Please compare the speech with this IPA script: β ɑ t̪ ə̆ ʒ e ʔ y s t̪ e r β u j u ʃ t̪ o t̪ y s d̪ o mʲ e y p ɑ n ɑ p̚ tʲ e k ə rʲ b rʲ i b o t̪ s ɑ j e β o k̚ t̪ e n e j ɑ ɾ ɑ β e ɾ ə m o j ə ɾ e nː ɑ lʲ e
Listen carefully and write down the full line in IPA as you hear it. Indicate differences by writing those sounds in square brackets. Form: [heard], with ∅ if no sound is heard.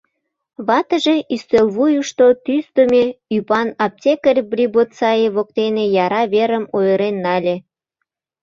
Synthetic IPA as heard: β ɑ t̪ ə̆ ʒ e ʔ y s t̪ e [l] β u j u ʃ t̪ o t̪ y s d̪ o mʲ e y p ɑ n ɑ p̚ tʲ e k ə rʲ b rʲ i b o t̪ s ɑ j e β o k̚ t̪ e n e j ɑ ɾ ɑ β e ɾ ə m o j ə ɾ e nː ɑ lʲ e